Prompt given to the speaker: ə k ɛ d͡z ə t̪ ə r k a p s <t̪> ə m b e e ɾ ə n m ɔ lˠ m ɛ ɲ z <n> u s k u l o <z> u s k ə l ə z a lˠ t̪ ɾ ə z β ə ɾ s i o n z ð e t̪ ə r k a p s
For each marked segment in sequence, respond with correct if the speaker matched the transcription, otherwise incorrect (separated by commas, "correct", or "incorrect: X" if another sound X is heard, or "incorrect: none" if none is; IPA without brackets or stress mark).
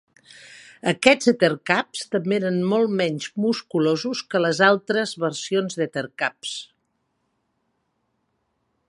correct, incorrect: m, correct